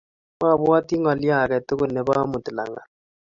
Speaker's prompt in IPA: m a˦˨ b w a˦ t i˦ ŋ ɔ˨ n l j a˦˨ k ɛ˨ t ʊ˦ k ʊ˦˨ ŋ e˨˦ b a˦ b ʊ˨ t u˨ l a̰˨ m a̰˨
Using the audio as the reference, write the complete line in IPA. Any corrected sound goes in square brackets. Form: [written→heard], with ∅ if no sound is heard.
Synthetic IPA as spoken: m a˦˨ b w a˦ t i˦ ŋ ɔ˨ [n→∅] l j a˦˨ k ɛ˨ t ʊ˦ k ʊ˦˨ [ŋ→n] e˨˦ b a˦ [b→m] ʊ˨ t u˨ l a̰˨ [m→ŋ] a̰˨